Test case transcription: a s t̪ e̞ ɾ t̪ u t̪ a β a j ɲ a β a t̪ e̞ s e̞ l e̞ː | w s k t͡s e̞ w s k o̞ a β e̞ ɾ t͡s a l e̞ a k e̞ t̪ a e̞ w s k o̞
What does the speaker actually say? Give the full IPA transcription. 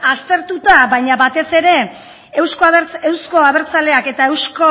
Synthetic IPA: a s t̪ e̞ ɾ t̪ u t̪ a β a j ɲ a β a t̪ e̞ s e̞ ɾ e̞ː | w s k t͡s e̞ w s k o̞ a β e̞ ɾ t͡s a l e̞ a k e̞ t̪ a e̞ w s k o̞

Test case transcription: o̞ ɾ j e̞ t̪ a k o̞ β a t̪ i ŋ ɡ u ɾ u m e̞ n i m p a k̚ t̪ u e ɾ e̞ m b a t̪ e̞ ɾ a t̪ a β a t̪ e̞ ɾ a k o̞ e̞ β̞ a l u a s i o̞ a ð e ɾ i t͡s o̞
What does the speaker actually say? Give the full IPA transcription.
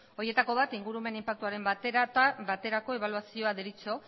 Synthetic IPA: o̞ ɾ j e̞ t̪ a k o̞ β a t̪ i ŋ ɡ u ɾ u m e̞ n i m p a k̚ t̪ u a ɾ e̞ m b a t̪ e̞ ɾ a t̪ a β a t̪ e̞ ɾ a k o̞ e̞ β̞ a l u a s i o̞ a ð e ɾ i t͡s o̞

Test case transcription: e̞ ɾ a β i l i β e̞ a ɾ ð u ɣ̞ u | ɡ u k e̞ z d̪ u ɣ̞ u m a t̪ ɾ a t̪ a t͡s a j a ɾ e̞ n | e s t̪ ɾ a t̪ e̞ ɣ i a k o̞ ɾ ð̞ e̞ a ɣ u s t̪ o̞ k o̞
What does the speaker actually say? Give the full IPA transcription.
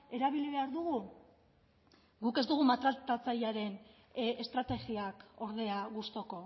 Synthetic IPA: e̞ ɾ a β i l i β e̞ a ɾ ð u ɣ̞ u | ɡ u k e̞ z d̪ u ɣ̞ u m a t̪ ɾ a t̪ a t͡s a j a ɾ e̞ n | e s t̪ ɾ a t̪ e̞ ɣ i a k o̞ ɾ ð̞ e̞ a ɣ u s t̪ o̞ k o̞

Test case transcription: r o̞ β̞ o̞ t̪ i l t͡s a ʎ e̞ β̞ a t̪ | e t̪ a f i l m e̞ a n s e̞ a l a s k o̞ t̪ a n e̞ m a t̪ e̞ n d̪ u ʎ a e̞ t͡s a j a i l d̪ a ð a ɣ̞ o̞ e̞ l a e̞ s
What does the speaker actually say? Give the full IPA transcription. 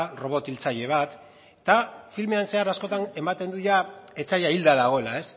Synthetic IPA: r o̞ β̞ o̞ t̪ i l t͡s a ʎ e̞ β̞ a t̪ | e t̪ a f i l m e̞ a n s e̞ a ɾ a s k o̞ t̪ a n e̞ m a t̪ e̞ n d̪ u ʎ a e̞ t͡s a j a i l d̪ a ð a ɣ̞ o̞ e̞ l a e̞ s

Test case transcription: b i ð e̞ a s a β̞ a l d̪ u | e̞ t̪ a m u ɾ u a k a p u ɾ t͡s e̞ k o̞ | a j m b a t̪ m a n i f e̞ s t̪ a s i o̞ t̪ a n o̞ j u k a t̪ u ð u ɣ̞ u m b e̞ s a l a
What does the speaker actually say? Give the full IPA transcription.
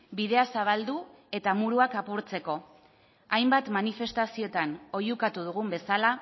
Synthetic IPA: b i ð e̞ a s a β̞ a l d̪ u | e̞ t̪ a m u ɾ u a k a p u ɾ t͡s e̞ k o̞ | a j m b a t̪ m a n i f e̞ s t̪ a s i o̞ t̪ a n o̞ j u k a t̪ u ð u ɣ̞ u m b e̞ s a l a

